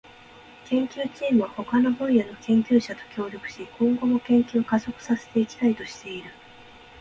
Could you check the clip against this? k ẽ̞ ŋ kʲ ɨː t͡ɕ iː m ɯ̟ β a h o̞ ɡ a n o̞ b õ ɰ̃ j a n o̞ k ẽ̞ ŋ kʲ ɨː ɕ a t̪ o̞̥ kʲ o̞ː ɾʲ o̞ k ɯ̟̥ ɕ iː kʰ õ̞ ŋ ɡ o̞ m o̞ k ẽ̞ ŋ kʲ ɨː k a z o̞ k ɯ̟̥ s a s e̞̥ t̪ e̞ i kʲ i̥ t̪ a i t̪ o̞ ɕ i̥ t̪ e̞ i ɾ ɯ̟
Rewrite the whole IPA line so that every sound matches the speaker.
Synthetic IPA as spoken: k ẽ̞ ŋ kʲ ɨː t͡ɕ iː m ɯ̟ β a h o̞ k a n o̞ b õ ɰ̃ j a n o̞ k ẽ̞ ŋ kʲ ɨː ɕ a t̪ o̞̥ kʲ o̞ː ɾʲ o̞ k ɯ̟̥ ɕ i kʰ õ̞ ŋ ɡ o̞ m o̞ k ẽ̞ ŋ kʲ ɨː k a z o̞ k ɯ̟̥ s a s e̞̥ t̪ e̞ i kʲ i̥ t̪ a i t̪ o̞ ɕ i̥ t̪ e̞ i ɾ ɯ̟

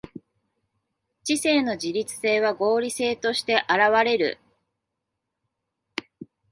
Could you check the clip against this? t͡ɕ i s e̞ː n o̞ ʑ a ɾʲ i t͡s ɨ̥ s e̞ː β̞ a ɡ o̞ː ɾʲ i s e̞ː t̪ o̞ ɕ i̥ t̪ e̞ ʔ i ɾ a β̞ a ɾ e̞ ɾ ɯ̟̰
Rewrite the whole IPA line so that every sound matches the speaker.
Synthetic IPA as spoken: t͡ɕ i s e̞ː n o̞ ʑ i ɾʲ i t͡s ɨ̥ s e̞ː β̞ a ɡ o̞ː ɾʲ i s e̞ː t̪ o̞ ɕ i̥ t̪ e̞ ʔ a ɾ a β̞ a ɾ e̞ ɾ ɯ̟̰

